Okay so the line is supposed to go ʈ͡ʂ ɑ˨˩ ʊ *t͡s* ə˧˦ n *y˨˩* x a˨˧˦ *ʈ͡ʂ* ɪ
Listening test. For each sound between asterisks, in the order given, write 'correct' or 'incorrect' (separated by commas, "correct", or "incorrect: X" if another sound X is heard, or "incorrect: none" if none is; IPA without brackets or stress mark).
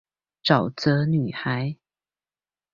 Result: correct, correct, incorrect: none